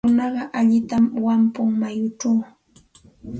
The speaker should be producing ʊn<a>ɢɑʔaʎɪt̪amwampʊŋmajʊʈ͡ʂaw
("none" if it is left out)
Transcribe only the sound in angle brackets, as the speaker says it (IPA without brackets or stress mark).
ɑ